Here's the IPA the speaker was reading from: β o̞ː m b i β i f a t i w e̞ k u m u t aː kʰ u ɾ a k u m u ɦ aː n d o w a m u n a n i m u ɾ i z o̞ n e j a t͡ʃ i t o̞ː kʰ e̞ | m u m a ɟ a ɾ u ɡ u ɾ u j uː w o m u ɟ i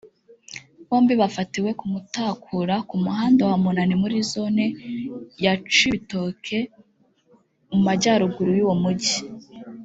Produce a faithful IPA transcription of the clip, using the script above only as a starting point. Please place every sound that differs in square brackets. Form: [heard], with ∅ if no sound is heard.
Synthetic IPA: β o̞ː m b i β [a] f a t i w e̞ k u m u t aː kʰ u ɾ a k u m u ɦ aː n d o w a m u n a n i m u ɾ i z o̞ n e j a t͡ʃ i t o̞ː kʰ e̞ | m u m a ɟ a ɾ u ɡ u ɾ u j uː w o m u ɟ i